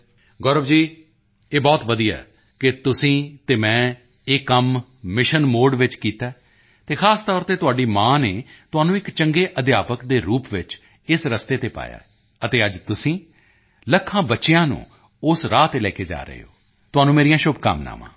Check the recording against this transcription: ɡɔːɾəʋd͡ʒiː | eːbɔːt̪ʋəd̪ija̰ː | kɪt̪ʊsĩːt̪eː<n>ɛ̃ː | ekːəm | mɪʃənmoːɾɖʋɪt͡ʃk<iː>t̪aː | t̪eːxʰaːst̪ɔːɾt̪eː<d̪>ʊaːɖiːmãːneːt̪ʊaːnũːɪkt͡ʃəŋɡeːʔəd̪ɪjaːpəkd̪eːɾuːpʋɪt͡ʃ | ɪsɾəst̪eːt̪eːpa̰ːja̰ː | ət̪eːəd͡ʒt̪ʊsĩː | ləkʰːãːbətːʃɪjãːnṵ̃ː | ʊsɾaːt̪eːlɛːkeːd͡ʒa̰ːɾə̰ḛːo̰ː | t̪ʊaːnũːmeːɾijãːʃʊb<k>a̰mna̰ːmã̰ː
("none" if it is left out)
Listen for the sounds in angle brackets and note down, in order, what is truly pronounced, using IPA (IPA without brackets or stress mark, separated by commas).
m, iː, t̪, k